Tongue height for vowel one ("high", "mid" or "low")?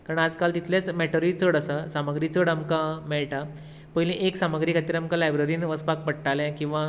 low